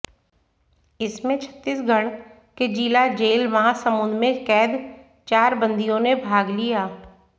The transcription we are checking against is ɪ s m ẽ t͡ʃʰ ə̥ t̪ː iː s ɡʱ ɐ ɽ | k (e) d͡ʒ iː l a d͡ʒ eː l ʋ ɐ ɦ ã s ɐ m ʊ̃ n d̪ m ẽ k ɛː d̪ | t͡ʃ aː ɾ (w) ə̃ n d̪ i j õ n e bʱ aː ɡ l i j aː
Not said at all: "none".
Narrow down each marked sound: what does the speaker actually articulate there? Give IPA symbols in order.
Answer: e, b

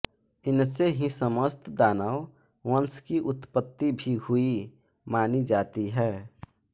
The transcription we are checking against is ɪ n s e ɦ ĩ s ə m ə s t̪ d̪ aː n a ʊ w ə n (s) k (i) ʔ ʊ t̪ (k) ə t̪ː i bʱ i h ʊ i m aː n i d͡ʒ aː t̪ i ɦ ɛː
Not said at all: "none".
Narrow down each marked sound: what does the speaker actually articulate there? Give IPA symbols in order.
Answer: s, i, p

